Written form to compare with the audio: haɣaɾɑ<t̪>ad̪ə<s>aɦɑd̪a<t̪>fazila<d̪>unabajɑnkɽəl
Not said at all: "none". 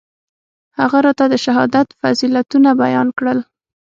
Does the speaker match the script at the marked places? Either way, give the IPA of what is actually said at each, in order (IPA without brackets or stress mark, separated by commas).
t̪, ʃ, t̪, t̪